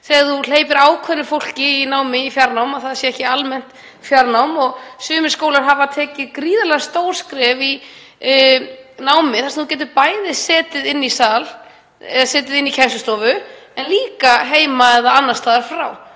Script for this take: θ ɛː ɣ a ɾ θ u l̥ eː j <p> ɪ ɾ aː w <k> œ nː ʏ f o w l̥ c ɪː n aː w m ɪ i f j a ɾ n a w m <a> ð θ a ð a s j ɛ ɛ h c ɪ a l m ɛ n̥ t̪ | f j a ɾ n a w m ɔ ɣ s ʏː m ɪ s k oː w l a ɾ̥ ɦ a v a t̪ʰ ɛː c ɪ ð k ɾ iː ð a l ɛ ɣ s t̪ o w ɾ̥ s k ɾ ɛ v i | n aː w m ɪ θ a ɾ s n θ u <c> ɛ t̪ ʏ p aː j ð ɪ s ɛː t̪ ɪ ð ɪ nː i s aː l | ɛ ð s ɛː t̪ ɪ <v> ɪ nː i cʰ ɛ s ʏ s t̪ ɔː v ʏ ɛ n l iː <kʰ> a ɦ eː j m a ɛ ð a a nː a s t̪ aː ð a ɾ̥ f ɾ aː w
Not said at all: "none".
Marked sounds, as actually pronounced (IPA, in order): p, kʰ, a, c, ð, k

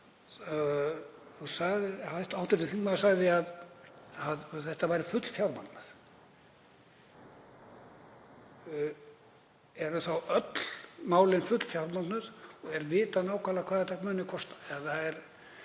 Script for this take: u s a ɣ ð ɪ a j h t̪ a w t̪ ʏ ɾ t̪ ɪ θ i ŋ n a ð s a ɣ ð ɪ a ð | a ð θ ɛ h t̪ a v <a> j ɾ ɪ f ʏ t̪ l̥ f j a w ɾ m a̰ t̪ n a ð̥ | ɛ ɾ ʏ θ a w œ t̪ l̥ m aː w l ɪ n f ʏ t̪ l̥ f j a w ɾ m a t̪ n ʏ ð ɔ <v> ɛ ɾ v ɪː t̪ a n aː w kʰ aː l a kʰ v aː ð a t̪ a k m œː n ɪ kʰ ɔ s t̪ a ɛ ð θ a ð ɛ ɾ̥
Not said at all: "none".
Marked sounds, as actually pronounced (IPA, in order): a, ɣ

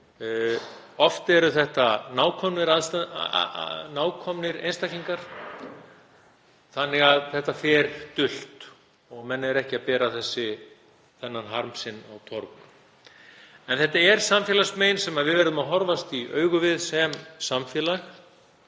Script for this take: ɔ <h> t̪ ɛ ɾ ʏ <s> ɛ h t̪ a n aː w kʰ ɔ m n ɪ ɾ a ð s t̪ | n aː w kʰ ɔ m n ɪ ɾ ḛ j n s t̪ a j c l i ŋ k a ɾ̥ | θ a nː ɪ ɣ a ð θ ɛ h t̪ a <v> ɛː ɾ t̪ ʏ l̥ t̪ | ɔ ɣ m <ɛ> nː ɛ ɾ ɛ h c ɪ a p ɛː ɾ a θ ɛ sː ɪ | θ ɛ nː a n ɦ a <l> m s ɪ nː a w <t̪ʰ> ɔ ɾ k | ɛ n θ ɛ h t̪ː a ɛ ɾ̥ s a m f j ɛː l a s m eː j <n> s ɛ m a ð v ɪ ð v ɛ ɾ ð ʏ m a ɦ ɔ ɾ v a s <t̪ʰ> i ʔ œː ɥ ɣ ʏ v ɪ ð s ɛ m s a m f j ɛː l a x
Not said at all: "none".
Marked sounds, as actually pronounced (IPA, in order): f, θ, f, ɛ, ɾ, t̪ʰ, n, t̪

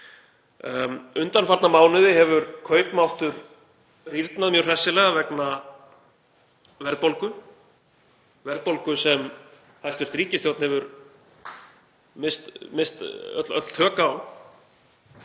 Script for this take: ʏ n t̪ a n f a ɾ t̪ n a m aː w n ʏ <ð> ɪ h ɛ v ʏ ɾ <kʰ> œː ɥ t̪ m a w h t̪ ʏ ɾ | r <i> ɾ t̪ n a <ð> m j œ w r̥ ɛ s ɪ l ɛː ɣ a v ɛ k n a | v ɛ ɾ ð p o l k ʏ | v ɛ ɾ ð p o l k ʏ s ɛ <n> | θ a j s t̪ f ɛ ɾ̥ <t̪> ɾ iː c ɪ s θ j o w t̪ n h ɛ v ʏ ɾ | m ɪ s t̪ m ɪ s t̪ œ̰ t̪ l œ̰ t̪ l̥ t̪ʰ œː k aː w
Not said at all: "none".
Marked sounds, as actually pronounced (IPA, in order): ð, kʰ, i, ð, m, t̪

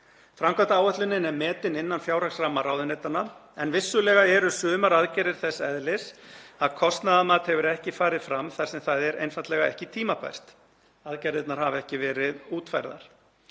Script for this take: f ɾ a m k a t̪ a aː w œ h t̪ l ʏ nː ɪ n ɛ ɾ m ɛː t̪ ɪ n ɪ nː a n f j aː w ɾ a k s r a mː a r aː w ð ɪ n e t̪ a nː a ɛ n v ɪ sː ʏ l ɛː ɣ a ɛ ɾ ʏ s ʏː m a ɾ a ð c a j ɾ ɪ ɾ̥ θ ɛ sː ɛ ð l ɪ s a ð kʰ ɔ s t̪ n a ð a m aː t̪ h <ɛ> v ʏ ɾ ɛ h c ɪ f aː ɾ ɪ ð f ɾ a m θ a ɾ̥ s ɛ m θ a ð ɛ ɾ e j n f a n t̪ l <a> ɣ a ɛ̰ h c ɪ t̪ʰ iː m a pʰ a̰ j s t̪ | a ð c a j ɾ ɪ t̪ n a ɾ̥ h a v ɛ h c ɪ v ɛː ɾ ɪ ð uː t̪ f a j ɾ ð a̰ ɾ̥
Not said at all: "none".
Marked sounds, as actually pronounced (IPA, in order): ɛ, ɛ

